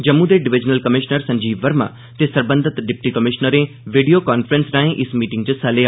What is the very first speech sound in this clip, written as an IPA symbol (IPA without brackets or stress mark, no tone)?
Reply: d͡ʒ